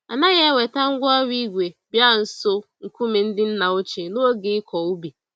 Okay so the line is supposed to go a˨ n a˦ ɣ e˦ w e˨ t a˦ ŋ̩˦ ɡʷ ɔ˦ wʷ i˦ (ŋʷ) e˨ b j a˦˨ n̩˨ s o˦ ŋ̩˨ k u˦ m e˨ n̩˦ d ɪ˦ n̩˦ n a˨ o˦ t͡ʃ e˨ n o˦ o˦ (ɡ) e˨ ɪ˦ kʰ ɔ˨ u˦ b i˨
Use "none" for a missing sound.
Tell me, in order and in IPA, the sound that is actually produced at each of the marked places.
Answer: ɡʷ, ɡ

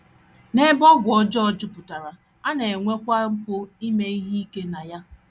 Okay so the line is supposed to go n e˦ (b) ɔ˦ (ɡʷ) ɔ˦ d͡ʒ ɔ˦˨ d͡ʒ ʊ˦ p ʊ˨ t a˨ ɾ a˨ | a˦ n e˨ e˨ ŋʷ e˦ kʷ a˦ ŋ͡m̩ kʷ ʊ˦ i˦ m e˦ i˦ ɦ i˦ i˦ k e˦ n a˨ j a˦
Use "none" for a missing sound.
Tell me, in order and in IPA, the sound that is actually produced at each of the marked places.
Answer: b, ɡʷ

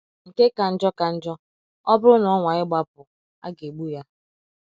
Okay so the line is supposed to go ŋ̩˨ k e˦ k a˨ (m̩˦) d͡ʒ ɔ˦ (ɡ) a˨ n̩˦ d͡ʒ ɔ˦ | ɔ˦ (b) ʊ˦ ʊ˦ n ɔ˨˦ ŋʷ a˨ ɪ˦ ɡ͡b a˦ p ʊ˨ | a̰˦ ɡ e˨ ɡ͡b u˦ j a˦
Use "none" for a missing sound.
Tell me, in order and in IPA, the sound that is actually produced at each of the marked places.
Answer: n̩˦, k, b

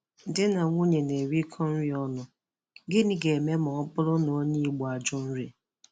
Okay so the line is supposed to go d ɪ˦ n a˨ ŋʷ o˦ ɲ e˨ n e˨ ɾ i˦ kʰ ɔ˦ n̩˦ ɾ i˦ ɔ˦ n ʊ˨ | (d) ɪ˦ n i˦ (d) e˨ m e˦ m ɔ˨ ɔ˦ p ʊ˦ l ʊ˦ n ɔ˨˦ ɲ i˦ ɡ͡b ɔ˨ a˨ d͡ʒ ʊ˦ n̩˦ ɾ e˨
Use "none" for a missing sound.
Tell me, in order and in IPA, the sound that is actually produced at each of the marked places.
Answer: ɡ, ɡ

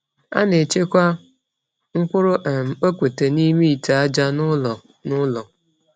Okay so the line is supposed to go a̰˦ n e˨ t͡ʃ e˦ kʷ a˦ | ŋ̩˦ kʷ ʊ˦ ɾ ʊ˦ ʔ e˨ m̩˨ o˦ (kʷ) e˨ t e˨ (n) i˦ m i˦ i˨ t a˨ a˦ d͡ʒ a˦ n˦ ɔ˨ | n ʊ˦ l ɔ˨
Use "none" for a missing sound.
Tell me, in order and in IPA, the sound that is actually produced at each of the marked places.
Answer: kʷ, n

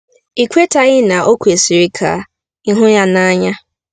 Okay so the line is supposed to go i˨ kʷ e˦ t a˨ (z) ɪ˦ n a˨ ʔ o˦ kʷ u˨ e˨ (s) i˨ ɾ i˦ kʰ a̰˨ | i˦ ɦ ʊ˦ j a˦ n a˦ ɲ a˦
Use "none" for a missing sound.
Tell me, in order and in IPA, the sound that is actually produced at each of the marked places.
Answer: ɣ, s

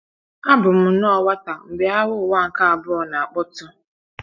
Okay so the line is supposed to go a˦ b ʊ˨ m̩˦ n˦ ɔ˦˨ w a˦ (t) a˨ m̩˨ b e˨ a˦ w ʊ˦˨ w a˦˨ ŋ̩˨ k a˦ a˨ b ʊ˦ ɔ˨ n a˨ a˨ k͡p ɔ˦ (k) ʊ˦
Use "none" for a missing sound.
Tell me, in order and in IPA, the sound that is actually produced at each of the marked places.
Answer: t, t

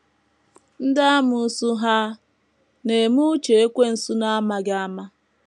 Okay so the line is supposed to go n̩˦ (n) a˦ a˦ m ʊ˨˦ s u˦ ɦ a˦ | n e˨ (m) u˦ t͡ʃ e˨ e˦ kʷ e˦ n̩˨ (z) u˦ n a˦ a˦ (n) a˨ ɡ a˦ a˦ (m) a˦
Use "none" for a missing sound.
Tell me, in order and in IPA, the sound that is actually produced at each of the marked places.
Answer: d, m, s, m, m

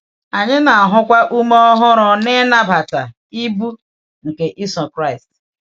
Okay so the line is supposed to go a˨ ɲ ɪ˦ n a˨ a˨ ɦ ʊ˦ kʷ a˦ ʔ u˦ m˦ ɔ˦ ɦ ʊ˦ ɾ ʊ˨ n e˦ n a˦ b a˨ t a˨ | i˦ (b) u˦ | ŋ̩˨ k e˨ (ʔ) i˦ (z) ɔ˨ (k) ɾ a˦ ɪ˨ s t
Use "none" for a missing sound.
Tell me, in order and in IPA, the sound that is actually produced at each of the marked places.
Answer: b, ʔ, s, k

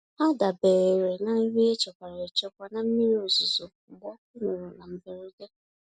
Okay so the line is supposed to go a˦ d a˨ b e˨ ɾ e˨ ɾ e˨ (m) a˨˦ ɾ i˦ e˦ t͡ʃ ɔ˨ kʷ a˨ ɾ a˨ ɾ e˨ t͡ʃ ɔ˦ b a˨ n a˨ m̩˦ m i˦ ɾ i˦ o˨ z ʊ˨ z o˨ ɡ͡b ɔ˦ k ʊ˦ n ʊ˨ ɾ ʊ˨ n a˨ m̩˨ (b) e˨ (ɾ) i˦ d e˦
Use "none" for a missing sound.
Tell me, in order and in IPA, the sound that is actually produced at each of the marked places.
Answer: n, b, ɾ

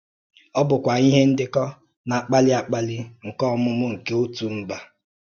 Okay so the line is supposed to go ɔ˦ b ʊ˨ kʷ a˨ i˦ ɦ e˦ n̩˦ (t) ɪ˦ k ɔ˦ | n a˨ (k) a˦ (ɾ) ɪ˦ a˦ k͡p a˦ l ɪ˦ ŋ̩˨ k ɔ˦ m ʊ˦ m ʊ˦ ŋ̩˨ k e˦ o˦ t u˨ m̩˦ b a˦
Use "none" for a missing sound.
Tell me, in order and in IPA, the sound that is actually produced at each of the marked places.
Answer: d, k͡p, l

